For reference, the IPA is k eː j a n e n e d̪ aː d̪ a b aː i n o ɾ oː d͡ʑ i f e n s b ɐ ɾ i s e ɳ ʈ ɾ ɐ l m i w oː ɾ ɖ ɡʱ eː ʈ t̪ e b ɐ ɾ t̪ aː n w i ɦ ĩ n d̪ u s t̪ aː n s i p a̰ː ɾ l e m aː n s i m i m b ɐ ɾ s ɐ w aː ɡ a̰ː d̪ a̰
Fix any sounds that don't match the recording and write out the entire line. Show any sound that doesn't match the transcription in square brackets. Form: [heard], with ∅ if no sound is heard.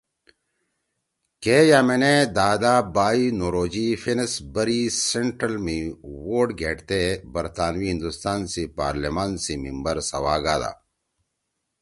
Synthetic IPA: k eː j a [m] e n e d̪ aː d̪ a b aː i n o ɾ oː d͡ʑ i f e n s b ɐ ɾ i s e ɳ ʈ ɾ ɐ l m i w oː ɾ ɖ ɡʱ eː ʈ t̪ e b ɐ ɾ t̪ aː n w i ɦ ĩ n d̪ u s t̪ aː n s i p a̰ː ɾ l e m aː n s i m i m b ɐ ɾ s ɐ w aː ɡ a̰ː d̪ a̰